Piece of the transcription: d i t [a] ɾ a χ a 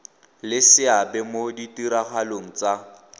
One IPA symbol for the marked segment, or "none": i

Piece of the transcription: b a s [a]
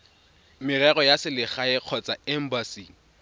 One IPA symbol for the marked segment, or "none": i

